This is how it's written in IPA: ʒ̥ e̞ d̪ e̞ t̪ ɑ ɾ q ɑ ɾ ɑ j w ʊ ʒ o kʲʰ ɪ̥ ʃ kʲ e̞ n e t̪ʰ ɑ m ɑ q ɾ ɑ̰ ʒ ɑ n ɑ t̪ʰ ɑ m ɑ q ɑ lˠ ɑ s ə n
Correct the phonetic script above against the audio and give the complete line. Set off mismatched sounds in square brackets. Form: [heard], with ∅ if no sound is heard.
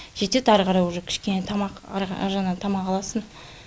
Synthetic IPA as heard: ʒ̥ e̞ [t̪] e̞ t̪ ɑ ɾ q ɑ ɾ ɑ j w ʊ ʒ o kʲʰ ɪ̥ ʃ kʲ e̞ n e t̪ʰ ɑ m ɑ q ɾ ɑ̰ ʒ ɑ n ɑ t̪ʰ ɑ m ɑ q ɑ lˠ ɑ s ə n